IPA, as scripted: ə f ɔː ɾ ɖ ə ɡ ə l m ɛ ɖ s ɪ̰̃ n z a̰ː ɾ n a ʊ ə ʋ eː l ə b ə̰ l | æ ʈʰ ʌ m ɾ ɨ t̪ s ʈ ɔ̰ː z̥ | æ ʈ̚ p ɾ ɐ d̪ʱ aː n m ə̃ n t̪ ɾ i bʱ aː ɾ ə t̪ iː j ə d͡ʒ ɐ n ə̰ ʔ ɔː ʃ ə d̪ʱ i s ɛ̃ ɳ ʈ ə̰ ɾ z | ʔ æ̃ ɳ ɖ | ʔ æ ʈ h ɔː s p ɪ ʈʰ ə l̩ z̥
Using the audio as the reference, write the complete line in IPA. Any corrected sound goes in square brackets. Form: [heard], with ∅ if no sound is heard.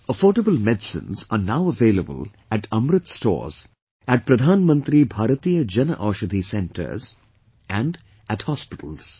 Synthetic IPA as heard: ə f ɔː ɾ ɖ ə [b] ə l m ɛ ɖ s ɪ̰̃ n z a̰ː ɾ n a ʊ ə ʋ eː l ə b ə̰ l | æ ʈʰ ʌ m ɾ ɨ t̪ s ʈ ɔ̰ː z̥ | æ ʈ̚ p ɾ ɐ d̪ʱ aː n m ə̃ n t̪ ɾ i bʱ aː ɾ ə t̪ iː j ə d͡ʒ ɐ n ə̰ ʔ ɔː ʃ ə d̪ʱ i s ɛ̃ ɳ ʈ ə̰ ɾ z | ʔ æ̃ ɳ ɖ | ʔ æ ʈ h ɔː s p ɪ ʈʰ ə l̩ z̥